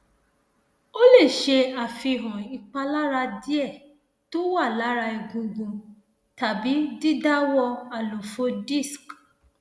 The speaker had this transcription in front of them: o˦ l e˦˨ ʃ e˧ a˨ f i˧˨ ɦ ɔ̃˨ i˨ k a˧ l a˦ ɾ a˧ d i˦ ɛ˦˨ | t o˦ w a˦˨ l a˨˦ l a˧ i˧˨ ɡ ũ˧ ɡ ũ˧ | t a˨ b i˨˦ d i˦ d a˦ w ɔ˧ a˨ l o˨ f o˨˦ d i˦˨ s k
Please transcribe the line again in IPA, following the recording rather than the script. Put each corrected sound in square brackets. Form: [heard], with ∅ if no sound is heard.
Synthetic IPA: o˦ l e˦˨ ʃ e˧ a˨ f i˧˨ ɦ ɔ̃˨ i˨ [k͡p] a˧ l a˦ ɾ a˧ d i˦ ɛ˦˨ | t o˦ w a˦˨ l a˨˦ [ɾ] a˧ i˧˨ ɡ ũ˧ ɡ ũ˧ | t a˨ b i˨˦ d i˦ d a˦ w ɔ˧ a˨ l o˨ f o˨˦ d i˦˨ s k